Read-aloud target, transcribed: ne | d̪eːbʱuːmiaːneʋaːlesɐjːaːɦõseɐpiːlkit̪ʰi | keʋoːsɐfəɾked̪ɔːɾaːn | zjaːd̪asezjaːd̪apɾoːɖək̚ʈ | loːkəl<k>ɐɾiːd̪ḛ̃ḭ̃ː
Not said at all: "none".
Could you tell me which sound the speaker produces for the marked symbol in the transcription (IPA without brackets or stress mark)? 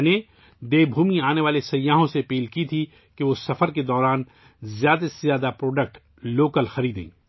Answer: x